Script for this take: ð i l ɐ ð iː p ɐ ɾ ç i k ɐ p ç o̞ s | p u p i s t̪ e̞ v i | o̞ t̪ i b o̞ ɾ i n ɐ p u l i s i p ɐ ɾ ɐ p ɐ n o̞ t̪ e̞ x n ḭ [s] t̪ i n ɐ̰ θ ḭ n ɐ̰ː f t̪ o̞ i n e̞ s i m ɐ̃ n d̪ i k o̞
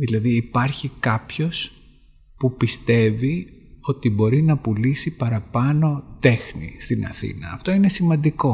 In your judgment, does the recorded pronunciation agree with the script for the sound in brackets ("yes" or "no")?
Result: yes